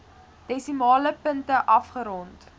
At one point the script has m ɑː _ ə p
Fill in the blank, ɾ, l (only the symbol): l